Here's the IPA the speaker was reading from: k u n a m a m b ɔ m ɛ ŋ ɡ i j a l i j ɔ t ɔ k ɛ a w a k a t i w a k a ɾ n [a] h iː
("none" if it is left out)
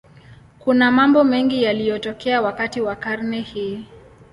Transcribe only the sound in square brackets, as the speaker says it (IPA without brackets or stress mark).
ɛ